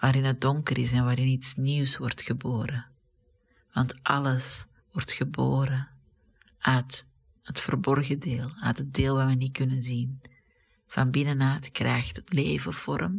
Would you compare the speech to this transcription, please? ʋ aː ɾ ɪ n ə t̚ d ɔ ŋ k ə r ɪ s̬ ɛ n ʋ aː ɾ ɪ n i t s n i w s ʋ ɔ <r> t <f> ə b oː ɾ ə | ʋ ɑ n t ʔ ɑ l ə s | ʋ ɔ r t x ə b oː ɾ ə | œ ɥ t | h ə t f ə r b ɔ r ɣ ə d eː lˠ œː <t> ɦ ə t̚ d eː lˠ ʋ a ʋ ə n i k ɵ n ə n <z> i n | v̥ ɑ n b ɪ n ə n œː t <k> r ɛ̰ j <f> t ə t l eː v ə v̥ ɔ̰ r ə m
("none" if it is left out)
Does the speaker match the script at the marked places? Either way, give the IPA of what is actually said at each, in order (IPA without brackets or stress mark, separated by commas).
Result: r, x, t, z, k, x